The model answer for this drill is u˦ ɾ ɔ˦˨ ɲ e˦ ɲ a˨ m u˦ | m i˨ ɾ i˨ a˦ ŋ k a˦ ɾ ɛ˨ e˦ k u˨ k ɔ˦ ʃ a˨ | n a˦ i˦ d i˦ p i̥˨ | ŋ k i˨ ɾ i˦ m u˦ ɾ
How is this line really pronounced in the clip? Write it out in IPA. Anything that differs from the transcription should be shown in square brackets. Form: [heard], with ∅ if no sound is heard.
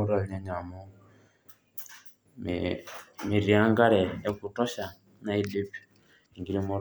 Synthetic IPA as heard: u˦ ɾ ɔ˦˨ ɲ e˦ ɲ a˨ m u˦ | m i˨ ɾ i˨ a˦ ŋ [ɡ] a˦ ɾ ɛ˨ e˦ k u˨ [t] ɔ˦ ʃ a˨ | n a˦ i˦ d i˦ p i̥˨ | ŋ [ɡ] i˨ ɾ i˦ m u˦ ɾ

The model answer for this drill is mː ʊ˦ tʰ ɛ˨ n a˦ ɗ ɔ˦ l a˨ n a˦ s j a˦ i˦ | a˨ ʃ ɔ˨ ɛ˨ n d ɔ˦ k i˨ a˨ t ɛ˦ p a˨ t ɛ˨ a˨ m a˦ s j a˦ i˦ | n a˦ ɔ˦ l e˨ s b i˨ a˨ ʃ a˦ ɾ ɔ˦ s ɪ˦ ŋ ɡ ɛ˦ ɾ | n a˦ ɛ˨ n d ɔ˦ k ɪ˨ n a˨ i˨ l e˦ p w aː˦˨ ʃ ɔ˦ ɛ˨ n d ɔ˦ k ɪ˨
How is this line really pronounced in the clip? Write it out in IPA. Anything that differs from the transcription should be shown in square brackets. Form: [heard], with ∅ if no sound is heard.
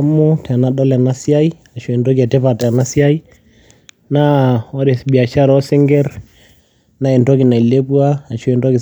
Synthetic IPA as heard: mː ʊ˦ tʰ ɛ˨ n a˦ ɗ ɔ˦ l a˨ n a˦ s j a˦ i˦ | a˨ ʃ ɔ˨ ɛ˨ n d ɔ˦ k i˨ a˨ t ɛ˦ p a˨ t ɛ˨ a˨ [n] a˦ s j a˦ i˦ | n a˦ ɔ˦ [ɾ] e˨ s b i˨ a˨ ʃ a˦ ɾ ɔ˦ s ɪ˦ ŋ ɡ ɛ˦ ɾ | n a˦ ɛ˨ n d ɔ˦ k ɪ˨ n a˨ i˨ l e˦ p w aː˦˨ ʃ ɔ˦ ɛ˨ n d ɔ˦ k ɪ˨

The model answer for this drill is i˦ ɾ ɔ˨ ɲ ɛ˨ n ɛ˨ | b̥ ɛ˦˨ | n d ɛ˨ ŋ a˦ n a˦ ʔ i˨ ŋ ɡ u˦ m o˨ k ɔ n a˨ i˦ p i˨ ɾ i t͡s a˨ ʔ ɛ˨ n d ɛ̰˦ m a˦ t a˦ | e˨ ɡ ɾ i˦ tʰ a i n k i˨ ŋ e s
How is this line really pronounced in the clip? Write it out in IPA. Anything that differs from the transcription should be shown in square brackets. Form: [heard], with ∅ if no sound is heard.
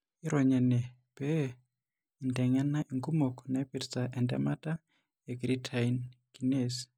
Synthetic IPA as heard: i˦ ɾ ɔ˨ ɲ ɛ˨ n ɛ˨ | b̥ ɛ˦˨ | n d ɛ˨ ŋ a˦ n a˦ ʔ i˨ ŋ ɡ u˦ m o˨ k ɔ n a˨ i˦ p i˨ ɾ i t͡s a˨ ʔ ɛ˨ n d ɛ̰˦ m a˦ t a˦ | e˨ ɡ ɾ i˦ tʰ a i n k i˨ [n] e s

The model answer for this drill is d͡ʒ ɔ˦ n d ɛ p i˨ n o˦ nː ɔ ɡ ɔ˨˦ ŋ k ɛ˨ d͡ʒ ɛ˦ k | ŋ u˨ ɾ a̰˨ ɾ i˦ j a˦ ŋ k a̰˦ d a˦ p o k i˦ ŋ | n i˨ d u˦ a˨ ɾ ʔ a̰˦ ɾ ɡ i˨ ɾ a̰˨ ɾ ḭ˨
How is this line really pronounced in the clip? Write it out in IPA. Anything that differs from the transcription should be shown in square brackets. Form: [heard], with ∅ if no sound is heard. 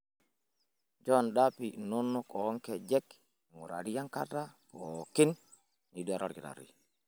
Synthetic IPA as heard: d͡ʒ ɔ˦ n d [a] p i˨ n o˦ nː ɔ [k] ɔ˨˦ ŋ k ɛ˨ d͡ʒ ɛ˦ k | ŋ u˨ ɾ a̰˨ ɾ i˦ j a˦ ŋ k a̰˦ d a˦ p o k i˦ [n] | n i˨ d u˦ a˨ ɾ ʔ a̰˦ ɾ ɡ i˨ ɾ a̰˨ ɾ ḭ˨

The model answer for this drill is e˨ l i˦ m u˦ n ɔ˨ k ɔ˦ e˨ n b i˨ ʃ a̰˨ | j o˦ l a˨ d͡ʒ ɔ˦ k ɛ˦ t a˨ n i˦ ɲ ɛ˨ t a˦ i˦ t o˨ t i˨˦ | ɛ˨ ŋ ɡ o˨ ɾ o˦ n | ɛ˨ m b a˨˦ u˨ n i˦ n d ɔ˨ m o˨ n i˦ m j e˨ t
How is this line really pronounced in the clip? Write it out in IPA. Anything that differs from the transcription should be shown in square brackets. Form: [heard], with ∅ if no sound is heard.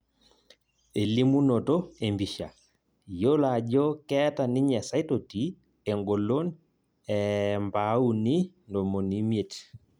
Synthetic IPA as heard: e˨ l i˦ m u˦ n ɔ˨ [t] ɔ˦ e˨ [m] b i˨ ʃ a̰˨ | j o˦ l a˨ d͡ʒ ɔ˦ k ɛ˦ t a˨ n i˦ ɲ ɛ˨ [s] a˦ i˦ t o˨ t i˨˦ | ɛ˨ ŋ ɡ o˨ [l] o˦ n | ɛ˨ m b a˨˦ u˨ n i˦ n d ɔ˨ m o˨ n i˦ m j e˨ t

